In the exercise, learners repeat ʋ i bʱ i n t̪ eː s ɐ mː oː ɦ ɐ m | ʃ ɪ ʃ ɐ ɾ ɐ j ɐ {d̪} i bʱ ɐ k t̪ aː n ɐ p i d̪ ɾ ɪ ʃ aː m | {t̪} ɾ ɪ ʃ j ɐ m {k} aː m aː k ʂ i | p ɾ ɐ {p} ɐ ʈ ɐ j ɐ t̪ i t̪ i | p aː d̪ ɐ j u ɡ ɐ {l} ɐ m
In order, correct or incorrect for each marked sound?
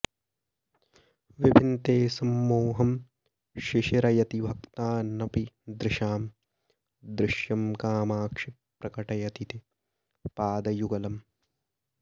incorrect: t̪, incorrect: d̪, correct, incorrect: k, correct

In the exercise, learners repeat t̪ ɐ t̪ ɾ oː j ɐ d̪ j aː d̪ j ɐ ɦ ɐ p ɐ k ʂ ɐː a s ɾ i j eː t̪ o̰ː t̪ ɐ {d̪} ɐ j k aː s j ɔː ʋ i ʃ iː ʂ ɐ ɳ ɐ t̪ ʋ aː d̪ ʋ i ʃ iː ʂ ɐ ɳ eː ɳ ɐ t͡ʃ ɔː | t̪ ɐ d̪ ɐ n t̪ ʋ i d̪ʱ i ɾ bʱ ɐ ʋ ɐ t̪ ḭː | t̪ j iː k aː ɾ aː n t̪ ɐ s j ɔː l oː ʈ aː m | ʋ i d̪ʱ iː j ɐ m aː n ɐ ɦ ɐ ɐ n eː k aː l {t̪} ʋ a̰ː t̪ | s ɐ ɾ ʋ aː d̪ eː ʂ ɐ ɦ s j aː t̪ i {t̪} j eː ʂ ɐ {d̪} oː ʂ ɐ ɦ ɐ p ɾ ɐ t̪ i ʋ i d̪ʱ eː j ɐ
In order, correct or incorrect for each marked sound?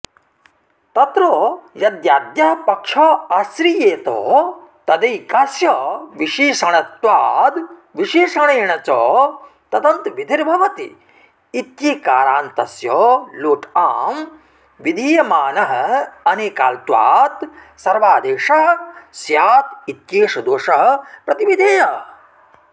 correct, correct, correct, correct

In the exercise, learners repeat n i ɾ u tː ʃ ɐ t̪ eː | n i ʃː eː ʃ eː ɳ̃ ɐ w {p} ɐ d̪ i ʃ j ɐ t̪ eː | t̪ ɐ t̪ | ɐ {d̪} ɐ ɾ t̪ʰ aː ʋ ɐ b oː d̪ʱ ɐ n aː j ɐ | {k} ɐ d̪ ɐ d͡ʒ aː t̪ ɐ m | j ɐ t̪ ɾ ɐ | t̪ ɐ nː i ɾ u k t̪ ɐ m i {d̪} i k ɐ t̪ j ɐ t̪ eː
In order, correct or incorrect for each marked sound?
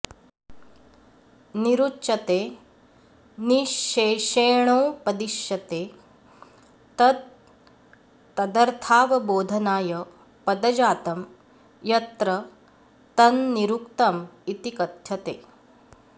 correct, correct, incorrect: p, incorrect: t̪

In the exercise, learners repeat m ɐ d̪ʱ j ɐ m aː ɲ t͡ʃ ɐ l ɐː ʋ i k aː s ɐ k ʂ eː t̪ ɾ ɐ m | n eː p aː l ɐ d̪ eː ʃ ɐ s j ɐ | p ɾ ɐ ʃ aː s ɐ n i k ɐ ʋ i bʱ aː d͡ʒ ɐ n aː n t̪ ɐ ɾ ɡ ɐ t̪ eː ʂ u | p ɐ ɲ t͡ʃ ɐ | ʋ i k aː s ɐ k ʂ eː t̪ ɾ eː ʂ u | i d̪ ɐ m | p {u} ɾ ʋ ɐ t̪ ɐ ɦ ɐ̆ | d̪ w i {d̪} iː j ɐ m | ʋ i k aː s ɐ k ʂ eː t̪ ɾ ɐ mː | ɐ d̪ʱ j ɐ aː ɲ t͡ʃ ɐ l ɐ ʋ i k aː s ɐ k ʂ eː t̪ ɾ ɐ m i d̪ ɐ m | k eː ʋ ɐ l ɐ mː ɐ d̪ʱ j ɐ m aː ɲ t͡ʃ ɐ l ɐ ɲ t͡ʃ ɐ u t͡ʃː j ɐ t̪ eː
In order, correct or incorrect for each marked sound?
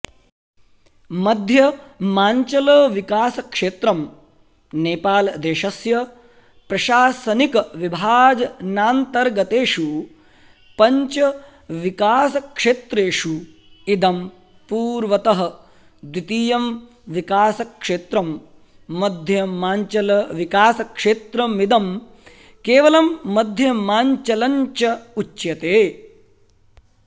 incorrect: uː, incorrect: t̪

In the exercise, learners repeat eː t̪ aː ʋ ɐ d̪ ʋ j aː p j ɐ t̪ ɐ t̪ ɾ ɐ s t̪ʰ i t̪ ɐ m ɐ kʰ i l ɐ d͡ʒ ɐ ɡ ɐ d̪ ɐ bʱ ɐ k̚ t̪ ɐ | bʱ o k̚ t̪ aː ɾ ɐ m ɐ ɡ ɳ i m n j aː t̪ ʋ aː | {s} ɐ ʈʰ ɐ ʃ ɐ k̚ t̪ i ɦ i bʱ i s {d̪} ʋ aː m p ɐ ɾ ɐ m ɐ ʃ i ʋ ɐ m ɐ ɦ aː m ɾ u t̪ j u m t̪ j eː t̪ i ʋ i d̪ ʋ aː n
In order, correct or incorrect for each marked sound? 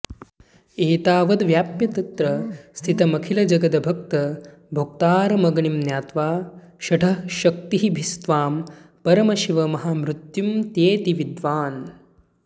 incorrect: ʃ, incorrect: t̪

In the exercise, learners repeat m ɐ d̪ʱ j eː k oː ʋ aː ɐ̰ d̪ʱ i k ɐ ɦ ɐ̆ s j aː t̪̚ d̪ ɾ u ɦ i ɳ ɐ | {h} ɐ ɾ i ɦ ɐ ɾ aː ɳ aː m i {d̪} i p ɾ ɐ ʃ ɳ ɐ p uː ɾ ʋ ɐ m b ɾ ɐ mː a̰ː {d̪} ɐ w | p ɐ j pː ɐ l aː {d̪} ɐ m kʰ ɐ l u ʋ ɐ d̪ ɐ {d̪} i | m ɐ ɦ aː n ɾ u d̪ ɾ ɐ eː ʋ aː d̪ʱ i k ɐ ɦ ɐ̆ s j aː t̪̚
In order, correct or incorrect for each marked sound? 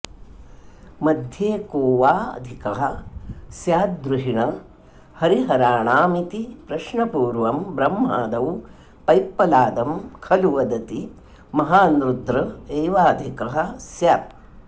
correct, incorrect: t̪, correct, correct, incorrect: t̪

